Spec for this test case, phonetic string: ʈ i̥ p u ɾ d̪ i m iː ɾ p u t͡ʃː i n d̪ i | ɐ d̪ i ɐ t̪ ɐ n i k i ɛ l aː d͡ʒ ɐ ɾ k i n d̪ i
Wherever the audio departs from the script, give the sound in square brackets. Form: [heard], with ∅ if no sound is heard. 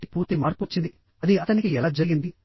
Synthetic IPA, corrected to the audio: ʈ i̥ p [uː] ɾ [t̪] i m [aː] ɾ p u t͡ʃː i n d̪ i | ɐ d̪ i ɐ t̪ ɐ n i k i ɛ l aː d͡ʒ ɐ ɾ [ɡ] i n d̪ i